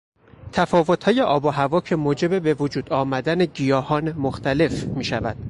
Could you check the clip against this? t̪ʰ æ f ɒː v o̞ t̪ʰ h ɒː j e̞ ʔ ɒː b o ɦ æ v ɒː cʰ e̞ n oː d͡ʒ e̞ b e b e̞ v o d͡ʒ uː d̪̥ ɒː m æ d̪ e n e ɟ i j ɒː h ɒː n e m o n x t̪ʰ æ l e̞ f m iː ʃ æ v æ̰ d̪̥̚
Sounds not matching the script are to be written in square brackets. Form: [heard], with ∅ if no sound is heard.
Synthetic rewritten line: t̪ʰ æ f ɒː v o̞ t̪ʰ h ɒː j e̞ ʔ ɒː b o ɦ æ v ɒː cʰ e̞ [m] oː d͡ʒ e̞ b e b e̞ v o d͡ʒ uː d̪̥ ɒː m æ d̪ [æ] n e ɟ i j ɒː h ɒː n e m o [∅] x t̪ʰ æ l e̞ f m iː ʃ æ v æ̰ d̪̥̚

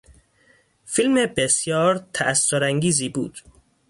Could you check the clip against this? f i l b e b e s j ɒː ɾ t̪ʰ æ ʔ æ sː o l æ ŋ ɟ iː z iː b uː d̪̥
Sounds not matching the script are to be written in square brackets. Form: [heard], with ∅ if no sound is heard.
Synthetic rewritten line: f i l [m] e b e s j ɒː ɾ t̪ʰ æ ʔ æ sː o [ɾ] æ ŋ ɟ iː z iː b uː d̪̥

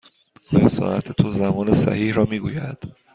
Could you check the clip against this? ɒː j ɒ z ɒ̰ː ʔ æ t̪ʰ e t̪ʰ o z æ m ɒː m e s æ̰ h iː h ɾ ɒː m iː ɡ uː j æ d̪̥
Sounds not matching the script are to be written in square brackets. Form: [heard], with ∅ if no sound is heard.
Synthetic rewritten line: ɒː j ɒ [s] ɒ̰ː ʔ æ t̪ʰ e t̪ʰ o z æ m ɒː [n] e s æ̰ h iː h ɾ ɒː m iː ɡ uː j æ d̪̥

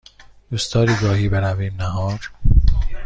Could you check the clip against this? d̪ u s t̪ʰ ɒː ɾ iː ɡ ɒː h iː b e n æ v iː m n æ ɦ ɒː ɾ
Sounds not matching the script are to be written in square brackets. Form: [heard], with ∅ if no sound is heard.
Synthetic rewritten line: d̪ u s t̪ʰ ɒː ɾ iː ɡ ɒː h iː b e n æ v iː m n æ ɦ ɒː ɾ

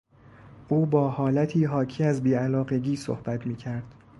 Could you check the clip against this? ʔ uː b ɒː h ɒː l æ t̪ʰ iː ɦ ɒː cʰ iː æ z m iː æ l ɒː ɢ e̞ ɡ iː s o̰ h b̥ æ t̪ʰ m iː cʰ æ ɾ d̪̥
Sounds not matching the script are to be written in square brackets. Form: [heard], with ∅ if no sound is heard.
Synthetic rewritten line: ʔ uː b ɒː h ɒː l æ t̪ʰ iː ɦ ɒː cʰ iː æ z [b] iː æ l ɒː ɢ e̞ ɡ iː s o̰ h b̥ æ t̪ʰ m iː cʰ æ ɾ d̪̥

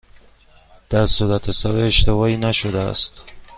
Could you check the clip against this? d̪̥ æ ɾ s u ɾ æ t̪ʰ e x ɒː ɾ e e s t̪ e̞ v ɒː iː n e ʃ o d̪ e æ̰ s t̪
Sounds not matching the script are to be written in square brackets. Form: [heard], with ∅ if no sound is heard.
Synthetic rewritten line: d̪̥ æ ɾ s u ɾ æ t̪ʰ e [s] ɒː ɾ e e [ʃ] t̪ e̞ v ɒː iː n [æ] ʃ o d̪ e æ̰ s t̪

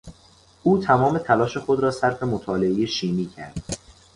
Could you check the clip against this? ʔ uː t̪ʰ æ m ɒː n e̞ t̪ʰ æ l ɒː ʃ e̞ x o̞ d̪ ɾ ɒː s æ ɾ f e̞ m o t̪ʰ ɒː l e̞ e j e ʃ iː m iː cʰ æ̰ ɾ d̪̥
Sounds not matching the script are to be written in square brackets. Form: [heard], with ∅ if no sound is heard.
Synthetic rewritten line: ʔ uː t̪ʰ æ m ɒː [m] e̞ t̪ʰ æ l ɒː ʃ e̞ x o̞ d̪ ɾ ɒː s æ ɾ f e̞ m o t̪ʰ ɒː l e̞ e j e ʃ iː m iː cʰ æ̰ ɾ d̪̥

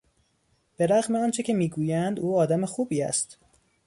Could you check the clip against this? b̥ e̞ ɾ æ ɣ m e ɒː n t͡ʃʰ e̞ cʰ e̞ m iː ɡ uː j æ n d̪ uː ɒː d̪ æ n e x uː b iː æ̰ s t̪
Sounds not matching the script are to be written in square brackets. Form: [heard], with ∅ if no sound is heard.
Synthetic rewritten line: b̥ e̞ ɾ æ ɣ m e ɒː n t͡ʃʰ e̞ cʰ e̞ m iː ɡ uː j æ n d̪ uː ɒː d̪ æ [m] e x uː b iː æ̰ s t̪

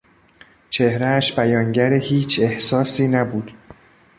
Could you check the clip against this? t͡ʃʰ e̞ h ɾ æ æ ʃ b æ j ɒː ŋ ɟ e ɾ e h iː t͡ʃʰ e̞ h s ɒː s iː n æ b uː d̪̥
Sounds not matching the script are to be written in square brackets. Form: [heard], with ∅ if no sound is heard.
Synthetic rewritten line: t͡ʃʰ e̞ h ɾ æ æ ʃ b æ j ɒː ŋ ɟ [æ] ɾ e h iː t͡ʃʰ e̞ h s ɒː s iː n æ b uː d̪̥

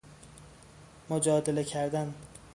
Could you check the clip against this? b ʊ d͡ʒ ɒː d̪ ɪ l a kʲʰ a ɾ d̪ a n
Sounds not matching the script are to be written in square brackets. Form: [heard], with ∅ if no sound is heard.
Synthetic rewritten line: [m] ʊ d͡ʒ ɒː d̪ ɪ l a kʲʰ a ɾ d̪ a n

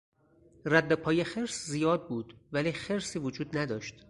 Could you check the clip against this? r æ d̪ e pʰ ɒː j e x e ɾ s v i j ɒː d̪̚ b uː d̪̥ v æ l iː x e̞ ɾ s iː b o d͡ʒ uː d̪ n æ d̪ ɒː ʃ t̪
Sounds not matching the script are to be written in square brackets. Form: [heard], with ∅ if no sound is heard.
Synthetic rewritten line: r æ [d̪ː] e pʰ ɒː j e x e ɾ s [z] i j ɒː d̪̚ b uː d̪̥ v æ l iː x e̞ ɾ s iː [v] o d͡ʒ uː d̪ n æ d̪ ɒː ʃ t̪

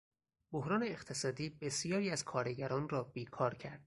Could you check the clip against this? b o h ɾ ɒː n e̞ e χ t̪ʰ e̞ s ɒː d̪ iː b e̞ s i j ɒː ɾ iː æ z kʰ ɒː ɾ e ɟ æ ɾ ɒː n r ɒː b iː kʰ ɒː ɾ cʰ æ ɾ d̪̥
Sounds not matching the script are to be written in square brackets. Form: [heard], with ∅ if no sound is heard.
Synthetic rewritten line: b o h ɾ ɒː n e̞ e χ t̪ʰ e̞ s ɒː d̪ iː b e̞ s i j ɒː ɾ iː æ z kʰ ɒː ɾ e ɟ æ ɾ ɒː n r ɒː b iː kʰ ɒː ɾ cʰ æ ɾ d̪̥

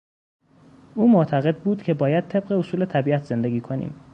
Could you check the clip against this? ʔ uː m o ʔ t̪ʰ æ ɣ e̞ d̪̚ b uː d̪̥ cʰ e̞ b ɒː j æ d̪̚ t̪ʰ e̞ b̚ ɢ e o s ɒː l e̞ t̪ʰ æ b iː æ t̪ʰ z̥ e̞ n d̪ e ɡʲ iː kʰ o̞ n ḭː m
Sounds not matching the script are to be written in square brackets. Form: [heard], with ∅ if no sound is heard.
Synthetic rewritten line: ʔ uː m o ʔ t̪ʰ æ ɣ e̞ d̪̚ b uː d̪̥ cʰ e̞ b ɒː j æ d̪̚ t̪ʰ e̞ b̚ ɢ e o s [uː] l e̞ t̪ʰ æ b iː æ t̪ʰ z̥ e̞ n d̪ e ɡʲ iː kʰ o̞ n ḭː m

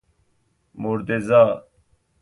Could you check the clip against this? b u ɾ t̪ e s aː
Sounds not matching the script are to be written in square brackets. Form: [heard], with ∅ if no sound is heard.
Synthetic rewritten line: [m] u ɾ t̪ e [z] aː

